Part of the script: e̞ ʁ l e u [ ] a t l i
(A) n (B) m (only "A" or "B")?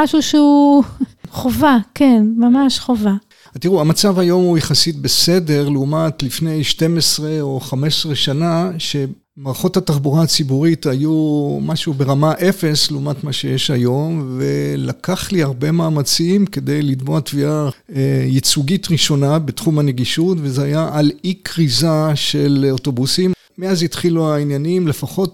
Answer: B